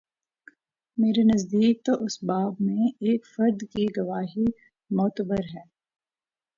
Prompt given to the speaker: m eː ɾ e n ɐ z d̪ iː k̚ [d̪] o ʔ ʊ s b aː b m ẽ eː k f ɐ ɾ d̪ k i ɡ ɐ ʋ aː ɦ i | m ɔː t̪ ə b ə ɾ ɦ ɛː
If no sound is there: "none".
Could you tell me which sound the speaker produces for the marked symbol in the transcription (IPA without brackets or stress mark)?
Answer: t̪